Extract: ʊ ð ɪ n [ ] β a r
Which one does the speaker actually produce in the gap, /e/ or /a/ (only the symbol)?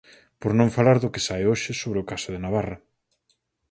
a